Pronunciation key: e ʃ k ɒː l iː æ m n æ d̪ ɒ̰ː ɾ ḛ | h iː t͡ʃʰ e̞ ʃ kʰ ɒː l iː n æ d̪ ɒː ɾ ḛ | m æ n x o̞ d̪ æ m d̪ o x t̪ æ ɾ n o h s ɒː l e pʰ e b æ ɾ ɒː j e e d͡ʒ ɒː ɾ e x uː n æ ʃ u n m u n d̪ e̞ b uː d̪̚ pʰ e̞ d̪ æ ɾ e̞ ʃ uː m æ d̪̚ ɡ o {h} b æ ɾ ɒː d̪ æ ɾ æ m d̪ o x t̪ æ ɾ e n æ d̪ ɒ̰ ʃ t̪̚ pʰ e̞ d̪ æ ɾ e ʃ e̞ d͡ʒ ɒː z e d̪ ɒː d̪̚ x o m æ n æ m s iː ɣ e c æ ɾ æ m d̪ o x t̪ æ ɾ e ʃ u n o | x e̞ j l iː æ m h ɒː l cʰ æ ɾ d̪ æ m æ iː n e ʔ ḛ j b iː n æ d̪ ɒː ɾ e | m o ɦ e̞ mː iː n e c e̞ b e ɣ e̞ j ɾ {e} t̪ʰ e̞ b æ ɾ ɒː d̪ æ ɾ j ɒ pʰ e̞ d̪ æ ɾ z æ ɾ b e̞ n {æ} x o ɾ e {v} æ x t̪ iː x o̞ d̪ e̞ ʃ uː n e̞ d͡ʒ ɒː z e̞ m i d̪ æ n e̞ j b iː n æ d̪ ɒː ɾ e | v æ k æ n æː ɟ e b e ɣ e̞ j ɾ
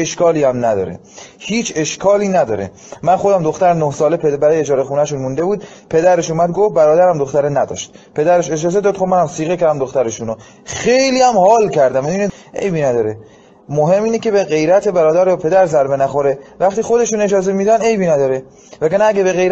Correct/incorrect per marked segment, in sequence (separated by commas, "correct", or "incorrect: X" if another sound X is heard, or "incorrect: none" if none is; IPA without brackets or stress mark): incorrect: f, incorrect: æ, correct, correct